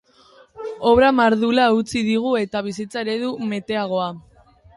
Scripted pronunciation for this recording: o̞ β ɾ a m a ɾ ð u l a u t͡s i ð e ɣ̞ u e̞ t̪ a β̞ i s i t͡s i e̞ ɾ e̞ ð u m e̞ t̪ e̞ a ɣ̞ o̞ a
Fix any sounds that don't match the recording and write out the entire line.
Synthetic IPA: o̞ β ɾ a m a ɾ ð u l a u t͡s i ð i ɣ̞ u e̞ t̪ a β̞ i s i t͡s a e̞ ɾ e̞ ð u m e̞ t̪ e̞ a ɣ̞ o̞ a